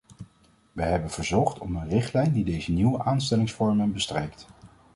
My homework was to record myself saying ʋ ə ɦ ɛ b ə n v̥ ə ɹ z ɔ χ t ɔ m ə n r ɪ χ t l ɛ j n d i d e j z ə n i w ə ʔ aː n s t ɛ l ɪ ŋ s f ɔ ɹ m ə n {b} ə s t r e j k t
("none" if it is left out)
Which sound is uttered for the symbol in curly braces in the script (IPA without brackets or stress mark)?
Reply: b